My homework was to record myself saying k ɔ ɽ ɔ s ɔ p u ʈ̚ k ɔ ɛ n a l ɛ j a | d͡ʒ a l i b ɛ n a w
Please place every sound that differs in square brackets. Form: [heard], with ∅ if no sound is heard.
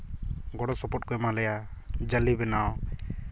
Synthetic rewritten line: [ɡ] ɔ ɽ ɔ s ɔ p [ɔ] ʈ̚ k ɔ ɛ [m] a l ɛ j a | d͡ʒ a l i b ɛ n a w